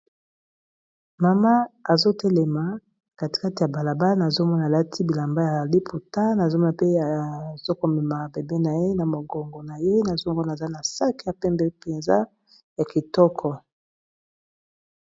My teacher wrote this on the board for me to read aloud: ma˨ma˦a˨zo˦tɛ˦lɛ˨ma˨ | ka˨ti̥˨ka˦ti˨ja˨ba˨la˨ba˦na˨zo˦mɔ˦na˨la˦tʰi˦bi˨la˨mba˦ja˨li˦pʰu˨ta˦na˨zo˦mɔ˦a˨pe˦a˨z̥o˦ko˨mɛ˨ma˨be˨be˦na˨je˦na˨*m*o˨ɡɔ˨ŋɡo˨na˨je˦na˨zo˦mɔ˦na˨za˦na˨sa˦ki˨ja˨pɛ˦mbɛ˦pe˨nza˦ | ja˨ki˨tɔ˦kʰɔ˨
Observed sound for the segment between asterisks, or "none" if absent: m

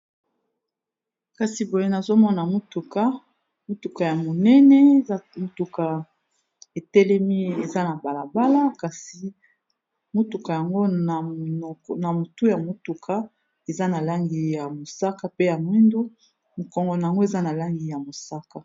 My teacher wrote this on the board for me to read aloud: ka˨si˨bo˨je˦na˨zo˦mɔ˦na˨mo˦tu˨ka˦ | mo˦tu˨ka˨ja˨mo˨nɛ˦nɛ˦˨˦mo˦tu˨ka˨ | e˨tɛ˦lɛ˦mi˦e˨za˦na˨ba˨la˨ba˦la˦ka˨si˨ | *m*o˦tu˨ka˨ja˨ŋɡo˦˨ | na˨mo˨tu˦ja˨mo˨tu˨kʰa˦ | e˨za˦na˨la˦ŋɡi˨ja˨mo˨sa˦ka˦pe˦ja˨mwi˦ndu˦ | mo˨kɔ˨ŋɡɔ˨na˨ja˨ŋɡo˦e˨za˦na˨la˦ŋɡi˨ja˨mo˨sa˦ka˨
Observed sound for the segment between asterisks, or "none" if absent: m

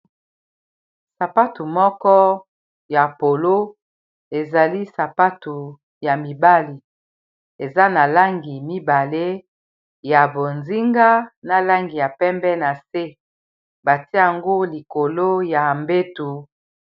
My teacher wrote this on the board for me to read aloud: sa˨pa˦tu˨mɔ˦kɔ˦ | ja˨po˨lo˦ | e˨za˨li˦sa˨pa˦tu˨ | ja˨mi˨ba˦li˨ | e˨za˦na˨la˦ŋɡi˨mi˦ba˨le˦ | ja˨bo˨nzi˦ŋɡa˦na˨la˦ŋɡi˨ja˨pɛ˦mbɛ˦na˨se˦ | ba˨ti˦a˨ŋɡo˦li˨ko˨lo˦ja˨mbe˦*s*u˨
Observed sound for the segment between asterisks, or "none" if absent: t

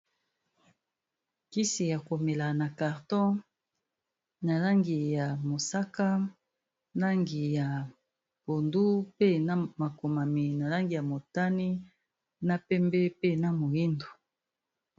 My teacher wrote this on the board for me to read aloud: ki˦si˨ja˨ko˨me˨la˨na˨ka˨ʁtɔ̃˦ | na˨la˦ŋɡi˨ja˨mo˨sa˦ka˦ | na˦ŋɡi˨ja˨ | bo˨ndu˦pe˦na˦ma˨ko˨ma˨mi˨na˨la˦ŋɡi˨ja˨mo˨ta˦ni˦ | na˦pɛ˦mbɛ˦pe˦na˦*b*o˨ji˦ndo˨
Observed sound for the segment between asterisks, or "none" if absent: m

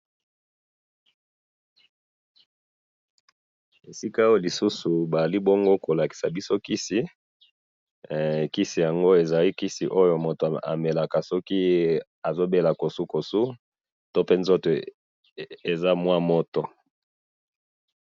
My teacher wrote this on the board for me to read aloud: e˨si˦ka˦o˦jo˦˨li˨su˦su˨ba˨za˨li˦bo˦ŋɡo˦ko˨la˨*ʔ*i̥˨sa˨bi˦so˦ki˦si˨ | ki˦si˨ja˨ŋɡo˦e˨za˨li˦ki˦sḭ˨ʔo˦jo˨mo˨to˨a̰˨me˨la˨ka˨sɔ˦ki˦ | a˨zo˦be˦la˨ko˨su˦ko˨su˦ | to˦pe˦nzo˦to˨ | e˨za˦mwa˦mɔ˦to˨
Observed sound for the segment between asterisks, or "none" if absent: k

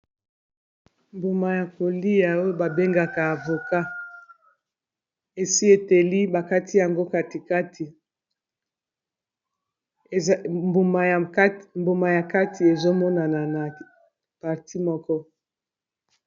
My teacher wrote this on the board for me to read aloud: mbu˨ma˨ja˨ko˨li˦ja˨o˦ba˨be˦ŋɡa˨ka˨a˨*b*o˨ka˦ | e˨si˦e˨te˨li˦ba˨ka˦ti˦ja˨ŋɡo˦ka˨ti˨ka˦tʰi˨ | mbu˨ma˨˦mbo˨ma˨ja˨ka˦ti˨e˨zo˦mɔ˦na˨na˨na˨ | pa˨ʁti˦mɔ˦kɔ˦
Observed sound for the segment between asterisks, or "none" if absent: v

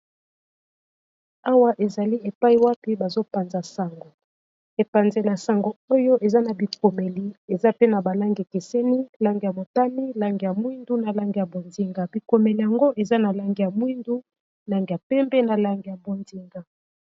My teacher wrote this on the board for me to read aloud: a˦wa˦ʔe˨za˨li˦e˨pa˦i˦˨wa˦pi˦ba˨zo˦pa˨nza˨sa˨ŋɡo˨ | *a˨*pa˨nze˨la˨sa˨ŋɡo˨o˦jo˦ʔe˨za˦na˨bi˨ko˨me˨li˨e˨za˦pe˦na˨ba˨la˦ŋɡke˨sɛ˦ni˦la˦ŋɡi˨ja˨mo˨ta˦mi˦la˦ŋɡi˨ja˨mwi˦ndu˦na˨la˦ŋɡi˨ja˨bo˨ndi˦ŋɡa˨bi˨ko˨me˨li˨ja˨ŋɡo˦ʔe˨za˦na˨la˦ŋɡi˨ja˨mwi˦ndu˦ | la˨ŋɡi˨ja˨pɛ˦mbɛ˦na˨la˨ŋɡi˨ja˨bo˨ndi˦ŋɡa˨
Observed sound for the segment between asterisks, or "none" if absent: e˨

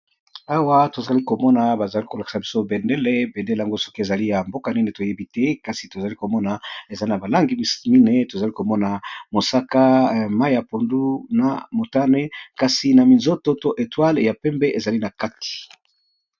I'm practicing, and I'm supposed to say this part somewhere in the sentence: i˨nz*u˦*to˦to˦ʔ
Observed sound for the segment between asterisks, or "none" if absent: o˦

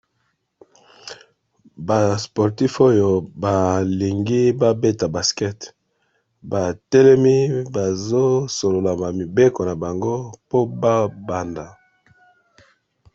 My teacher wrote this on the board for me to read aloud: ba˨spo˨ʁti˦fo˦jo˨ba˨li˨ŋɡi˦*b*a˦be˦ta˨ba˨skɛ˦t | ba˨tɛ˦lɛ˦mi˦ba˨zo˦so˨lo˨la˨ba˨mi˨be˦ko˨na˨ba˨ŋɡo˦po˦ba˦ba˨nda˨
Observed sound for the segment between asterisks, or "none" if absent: b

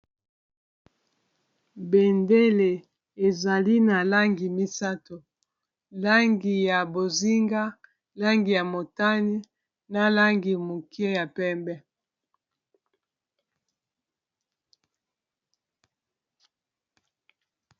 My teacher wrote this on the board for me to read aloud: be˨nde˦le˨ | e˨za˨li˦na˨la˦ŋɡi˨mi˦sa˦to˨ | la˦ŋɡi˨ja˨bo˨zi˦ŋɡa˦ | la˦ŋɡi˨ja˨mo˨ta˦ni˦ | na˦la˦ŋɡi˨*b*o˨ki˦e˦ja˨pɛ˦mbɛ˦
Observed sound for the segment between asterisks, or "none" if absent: m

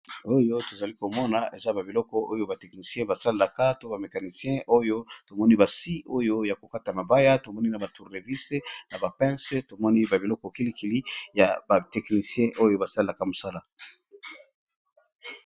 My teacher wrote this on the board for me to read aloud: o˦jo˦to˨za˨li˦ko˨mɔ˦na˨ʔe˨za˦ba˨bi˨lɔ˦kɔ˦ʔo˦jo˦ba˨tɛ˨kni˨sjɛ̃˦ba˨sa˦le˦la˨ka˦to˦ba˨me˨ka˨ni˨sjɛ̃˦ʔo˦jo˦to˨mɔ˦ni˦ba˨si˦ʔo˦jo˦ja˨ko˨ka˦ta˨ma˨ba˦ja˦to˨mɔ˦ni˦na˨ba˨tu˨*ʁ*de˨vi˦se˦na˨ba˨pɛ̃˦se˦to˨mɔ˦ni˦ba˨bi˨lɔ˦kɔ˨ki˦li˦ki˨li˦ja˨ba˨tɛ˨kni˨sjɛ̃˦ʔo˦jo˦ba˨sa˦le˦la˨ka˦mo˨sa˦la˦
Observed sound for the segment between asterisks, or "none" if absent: ʁ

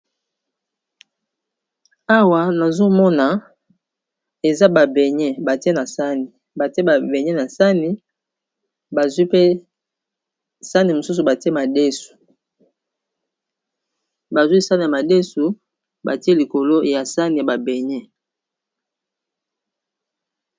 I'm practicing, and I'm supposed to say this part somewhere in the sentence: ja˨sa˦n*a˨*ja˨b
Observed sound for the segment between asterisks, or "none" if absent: i˨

